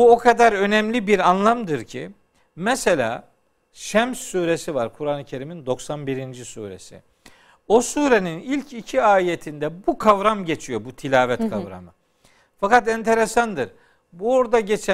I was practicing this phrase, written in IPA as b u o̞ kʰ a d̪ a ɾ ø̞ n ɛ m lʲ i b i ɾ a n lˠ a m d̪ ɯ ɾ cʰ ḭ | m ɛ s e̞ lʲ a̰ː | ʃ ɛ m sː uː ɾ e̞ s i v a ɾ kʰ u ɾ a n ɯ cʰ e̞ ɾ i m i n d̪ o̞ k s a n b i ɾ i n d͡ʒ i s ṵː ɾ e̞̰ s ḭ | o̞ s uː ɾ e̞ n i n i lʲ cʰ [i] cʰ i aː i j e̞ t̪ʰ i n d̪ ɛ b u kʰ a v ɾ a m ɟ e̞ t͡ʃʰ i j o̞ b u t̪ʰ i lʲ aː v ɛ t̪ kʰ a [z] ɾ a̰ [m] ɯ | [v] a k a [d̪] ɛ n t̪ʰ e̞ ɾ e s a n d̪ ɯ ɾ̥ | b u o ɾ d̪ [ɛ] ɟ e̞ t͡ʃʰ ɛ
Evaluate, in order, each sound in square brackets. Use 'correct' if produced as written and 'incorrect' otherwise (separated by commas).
correct, incorrect, correct, incorrect, incorrect, incorrect